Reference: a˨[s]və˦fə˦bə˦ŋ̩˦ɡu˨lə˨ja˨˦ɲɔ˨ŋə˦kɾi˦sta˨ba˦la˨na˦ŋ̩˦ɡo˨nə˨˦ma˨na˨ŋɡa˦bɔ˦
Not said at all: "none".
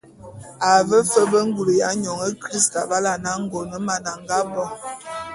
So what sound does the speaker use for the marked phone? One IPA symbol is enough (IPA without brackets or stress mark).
none